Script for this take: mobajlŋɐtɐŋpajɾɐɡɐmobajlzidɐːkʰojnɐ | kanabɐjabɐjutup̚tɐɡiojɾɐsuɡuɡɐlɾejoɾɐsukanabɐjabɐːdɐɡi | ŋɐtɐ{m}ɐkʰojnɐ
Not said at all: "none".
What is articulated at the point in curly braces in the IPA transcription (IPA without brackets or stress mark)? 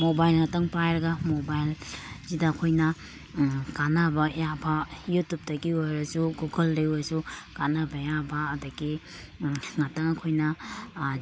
ŋ